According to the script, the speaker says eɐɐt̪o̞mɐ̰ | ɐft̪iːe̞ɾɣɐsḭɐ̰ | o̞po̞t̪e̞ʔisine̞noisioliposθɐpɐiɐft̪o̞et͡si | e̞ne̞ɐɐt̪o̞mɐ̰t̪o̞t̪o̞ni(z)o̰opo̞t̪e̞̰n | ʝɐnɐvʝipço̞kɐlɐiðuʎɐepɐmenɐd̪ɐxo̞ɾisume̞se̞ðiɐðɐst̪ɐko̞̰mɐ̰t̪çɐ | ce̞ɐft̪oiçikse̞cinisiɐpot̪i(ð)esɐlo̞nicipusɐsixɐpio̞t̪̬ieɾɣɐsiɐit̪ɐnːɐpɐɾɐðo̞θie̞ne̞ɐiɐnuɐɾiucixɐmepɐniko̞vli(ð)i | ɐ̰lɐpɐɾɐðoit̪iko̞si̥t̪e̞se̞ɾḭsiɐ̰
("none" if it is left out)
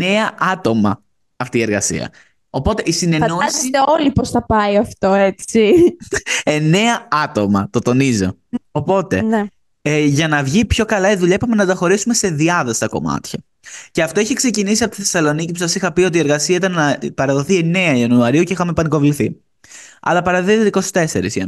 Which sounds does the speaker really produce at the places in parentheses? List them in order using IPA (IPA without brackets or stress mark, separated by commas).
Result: z, θ, θ